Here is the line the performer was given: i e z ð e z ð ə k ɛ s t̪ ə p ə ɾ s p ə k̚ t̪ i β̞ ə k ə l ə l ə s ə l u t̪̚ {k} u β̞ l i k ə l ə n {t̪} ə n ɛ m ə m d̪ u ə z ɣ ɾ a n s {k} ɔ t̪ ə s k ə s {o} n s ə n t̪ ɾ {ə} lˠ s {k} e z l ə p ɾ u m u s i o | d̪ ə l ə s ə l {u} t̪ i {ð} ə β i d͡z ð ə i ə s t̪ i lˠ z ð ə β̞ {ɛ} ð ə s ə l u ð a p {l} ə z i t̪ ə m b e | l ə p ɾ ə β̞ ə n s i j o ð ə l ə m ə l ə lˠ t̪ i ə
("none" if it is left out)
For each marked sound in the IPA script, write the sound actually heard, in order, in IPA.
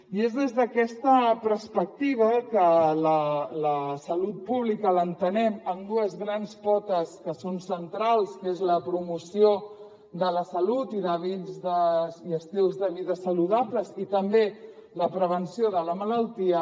p, t̪, p, o, a, k, u, ð, i, l

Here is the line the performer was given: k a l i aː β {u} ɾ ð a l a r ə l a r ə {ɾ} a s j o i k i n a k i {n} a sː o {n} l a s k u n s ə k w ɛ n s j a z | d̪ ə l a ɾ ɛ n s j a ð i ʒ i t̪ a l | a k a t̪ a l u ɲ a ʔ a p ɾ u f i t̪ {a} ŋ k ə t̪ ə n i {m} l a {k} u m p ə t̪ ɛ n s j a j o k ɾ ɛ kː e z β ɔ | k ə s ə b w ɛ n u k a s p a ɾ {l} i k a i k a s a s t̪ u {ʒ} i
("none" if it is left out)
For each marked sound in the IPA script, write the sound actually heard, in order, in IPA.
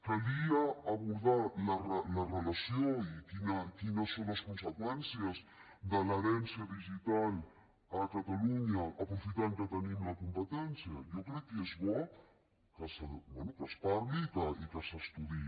u, l, n, n, a, m, k, l, ð

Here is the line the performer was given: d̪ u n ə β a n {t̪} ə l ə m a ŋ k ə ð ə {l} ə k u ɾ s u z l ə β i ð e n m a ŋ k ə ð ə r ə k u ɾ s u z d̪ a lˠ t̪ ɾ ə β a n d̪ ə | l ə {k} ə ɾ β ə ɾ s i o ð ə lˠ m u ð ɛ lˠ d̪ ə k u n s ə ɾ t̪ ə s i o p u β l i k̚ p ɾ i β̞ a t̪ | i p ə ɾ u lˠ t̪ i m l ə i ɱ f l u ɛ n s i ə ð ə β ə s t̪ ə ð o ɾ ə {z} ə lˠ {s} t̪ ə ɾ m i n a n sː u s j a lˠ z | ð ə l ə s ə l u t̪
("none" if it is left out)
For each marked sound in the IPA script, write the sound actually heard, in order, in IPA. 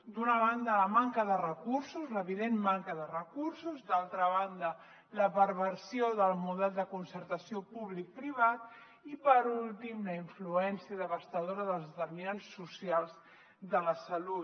d̪, r, p, ð, z

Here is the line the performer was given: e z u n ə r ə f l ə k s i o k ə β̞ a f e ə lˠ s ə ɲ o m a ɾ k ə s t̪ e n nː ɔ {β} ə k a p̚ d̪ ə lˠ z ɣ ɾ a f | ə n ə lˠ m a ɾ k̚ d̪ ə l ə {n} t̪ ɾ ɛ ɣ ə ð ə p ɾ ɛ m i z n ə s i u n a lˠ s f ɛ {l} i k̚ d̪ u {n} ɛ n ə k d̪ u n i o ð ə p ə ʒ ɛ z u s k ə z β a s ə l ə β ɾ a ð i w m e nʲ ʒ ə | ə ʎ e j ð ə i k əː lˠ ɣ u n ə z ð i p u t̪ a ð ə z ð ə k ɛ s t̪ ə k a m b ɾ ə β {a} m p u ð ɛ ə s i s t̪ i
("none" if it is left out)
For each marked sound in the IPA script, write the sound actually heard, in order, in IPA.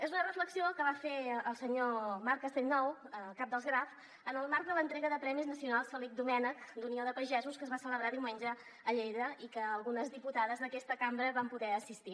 w, n, l, m, a

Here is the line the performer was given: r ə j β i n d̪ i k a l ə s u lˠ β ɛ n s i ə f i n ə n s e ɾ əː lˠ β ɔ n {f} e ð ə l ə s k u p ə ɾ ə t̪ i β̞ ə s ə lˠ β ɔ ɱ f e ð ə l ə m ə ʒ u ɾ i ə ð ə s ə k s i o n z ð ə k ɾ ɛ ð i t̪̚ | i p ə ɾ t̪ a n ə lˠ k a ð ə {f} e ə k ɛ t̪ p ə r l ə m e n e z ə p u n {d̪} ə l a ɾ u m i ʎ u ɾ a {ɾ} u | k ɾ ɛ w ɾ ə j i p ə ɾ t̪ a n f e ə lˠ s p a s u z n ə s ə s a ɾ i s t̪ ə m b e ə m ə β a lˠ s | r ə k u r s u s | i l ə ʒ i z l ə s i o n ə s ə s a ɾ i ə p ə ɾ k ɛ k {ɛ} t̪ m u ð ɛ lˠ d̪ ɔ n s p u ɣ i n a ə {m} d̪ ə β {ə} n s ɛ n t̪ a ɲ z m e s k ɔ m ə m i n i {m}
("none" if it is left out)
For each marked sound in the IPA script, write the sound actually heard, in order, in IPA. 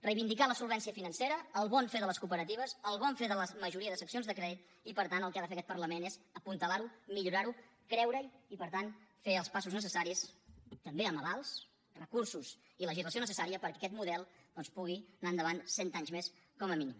f, f, t̪, ɾ, ɛ, n, a, m

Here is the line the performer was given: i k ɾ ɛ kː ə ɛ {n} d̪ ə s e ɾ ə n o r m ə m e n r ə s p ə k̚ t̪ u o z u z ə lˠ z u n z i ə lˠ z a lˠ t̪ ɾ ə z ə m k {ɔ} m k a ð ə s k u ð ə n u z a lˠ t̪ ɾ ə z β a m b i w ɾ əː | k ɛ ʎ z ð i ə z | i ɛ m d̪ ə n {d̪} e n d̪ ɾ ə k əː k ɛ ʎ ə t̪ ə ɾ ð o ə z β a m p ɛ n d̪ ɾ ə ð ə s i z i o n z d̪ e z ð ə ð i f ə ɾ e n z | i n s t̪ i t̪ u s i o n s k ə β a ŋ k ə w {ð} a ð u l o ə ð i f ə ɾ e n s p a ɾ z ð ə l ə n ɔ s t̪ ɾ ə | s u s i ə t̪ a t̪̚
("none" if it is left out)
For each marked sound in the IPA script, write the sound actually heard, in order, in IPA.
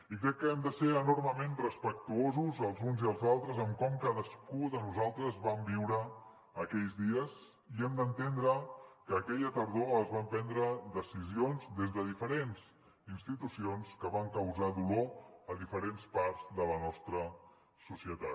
m, ɔ, t̪, z

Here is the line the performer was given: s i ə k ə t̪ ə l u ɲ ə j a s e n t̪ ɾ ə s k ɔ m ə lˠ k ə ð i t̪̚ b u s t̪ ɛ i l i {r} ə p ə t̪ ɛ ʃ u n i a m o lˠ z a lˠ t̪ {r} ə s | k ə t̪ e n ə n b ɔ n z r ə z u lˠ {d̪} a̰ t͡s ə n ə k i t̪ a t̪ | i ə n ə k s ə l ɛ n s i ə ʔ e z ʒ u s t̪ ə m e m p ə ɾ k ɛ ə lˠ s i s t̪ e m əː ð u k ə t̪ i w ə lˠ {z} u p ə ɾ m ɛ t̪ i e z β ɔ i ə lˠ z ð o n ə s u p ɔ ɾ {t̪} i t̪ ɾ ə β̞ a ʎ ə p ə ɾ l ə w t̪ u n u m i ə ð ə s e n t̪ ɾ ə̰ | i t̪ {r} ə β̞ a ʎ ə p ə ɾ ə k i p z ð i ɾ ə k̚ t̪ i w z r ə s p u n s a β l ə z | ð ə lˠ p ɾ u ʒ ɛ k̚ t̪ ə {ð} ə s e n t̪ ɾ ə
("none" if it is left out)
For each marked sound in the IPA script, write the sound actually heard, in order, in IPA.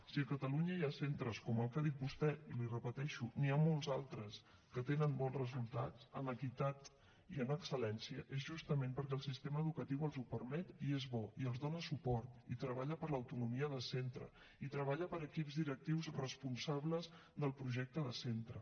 r, ɾ, t̪, z, t̪, ɾ, ð

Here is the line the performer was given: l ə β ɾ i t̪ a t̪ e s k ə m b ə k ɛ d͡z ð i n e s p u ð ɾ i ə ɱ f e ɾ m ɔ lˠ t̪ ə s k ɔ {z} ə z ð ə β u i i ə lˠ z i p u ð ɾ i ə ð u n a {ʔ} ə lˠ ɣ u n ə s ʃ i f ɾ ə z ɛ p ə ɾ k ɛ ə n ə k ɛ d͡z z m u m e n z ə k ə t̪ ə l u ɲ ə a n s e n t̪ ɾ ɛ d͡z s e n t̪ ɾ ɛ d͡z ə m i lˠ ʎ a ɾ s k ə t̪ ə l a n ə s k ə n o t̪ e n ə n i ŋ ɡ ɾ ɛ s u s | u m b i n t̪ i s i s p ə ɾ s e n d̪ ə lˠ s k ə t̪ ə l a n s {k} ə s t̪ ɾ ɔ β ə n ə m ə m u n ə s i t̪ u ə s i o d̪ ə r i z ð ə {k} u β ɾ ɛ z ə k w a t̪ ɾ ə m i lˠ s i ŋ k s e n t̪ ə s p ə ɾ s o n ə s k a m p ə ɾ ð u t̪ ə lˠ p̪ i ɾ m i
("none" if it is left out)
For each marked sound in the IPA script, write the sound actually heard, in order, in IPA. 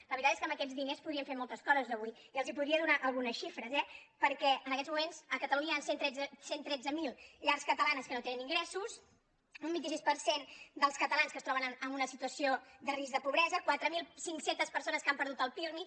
z, ʔ, k, p

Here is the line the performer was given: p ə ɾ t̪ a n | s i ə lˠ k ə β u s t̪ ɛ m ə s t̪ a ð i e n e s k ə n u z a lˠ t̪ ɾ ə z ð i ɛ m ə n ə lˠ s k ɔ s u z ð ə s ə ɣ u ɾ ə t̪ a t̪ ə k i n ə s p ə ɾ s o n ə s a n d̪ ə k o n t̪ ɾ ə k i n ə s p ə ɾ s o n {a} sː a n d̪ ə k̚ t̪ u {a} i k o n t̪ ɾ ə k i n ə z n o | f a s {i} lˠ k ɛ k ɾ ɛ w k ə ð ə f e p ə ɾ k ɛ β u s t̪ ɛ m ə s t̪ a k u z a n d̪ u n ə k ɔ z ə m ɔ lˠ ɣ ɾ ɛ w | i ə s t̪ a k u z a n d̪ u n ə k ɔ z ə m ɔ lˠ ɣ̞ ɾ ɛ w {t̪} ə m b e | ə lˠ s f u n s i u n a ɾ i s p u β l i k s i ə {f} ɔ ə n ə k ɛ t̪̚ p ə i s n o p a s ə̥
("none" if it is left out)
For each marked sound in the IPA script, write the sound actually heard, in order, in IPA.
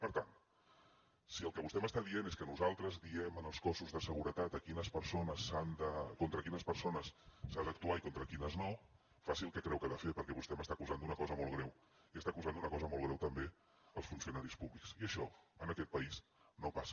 ə, a, i, t̪, ʃ

